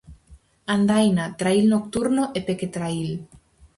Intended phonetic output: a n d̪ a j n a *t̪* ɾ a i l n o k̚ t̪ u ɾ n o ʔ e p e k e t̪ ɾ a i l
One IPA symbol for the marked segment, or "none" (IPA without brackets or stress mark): t̪